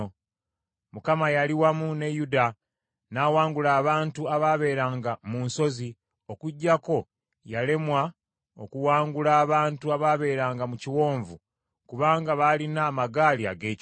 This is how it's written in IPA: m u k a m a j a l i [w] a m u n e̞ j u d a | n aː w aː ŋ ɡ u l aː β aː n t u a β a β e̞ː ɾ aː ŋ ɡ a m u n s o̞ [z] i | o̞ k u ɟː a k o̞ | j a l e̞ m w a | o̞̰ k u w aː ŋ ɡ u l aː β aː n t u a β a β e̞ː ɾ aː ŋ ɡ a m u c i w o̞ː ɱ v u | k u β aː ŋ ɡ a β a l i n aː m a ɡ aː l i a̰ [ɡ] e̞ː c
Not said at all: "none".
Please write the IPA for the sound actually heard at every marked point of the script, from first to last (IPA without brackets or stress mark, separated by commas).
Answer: w, z, ɡ